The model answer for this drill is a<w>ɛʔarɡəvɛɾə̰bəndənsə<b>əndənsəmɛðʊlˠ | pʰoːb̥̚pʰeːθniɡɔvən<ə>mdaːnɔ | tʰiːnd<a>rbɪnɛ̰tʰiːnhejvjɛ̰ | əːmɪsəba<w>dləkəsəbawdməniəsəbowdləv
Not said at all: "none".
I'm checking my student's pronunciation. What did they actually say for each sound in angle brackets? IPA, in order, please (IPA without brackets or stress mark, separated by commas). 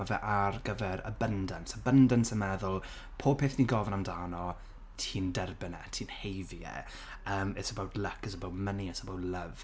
v, b, a, ɛ, w